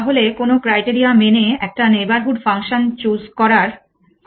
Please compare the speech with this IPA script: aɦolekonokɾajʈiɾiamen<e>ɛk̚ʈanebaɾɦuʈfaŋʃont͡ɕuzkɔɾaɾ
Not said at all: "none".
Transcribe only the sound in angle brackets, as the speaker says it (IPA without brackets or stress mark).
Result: e